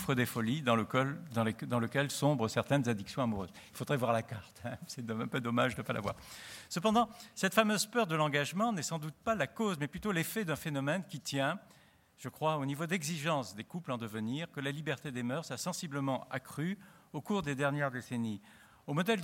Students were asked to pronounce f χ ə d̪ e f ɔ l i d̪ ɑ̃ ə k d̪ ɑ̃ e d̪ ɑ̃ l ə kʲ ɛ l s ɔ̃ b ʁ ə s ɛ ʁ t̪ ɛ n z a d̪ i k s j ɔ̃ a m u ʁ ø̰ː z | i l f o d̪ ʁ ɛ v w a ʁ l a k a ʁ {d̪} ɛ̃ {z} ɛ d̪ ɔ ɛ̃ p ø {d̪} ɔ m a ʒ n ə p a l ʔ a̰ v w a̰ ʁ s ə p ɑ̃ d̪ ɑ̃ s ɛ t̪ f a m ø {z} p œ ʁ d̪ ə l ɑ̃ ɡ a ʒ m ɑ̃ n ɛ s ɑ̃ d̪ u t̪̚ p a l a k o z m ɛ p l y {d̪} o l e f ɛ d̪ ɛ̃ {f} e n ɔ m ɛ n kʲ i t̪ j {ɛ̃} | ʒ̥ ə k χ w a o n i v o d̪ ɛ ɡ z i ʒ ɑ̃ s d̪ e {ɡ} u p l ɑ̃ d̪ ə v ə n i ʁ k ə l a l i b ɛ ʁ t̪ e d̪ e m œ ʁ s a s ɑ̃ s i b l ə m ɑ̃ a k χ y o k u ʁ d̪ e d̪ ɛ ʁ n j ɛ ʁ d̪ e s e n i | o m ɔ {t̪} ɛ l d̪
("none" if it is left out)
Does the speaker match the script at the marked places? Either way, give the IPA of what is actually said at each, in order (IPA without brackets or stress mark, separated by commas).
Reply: t̪, s, d̪, z, t̪, f, ɛ̃, k, d̪